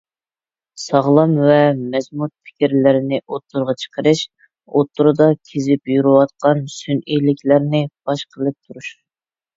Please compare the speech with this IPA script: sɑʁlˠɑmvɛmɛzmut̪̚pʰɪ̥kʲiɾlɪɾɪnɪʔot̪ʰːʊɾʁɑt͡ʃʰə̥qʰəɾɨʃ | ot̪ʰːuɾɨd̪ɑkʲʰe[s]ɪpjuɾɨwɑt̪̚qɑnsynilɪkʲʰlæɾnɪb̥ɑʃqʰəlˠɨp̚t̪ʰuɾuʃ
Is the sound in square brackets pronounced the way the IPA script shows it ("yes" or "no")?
no